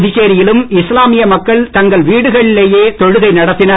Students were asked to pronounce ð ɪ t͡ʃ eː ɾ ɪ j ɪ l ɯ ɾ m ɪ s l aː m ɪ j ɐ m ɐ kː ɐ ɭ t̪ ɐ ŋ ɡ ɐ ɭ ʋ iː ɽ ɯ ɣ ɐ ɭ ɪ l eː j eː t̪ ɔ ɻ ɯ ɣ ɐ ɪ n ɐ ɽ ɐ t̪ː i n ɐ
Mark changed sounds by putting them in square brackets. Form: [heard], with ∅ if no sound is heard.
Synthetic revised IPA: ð ɪ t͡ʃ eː ɾ ɪ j ɪ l ɯ [∅] m ɪ s l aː m ɪ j ɐ m ɐ kː ɐ ɭ t̪ ɐ ŋ ɡ ɐ ɭ ʋ iː ɽ ɯ ɣ ɐ ɭ ɪ l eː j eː t̪ ɔ ɻ ɯ ɣ ɐ ɪ n ɐ ɽ ɐ t̪ː [ɪ] n ɐ